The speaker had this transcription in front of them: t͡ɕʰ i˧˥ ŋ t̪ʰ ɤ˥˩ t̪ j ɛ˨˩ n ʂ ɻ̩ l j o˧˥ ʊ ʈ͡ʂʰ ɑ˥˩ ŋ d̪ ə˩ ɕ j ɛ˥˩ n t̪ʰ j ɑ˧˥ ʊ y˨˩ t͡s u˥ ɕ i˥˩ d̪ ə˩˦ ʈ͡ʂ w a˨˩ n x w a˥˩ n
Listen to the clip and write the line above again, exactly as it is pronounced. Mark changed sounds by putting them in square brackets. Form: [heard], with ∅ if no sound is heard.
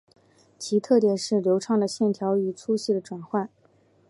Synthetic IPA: t͡ɕʰ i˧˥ [∅] t̪ʰ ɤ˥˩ t̪ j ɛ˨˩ n ʂ ɻ̩ l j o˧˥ ʊ ʈ͡ʂʰ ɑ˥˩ ŋ d̪ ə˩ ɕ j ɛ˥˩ n t̪ʰ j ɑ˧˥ ʊ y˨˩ [t͡sʰ] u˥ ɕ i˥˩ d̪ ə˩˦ ʈ͡ʂ w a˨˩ n x w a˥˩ n